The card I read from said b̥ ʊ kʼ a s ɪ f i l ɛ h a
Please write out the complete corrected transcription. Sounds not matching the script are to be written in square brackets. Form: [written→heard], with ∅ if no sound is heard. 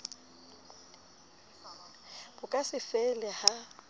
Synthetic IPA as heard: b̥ ʊ kʼ a s ɪ f [i→ɛ] l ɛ h a